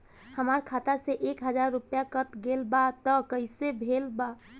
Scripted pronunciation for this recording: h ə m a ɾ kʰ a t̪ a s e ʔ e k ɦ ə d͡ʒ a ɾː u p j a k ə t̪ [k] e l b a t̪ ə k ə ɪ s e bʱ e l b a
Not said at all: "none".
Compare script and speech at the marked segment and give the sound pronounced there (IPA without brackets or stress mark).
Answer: ɡ